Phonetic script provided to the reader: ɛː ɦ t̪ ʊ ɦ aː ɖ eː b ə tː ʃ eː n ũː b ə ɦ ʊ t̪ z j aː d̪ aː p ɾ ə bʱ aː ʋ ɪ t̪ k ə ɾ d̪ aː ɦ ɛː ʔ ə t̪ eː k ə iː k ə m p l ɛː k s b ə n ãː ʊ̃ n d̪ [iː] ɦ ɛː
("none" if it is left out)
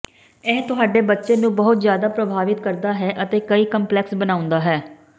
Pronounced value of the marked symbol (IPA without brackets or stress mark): aː